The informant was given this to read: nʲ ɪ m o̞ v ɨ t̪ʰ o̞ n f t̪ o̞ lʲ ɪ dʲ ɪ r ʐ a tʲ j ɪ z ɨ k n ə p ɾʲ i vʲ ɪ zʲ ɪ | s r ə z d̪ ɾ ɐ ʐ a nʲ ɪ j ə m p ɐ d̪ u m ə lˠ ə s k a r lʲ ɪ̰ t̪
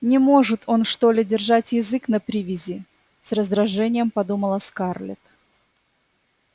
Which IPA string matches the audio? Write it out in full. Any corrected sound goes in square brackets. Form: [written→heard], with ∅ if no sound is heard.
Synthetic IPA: nʲ ɪ m o̞ [v→ʐ] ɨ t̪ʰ o̞ n [f→ʂ] t̪ o̞ lʲ ɪ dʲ ɪ r ʐ a tʲ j ɪ z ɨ k n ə p ɾʲ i vʲ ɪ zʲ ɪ | s r ə z d̪ ɾ ɐ ʐ [a→ɛ] nʲ ɪ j ə m p ɐ d̪ u m ə lˠ ə s k a r lʲ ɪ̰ t̪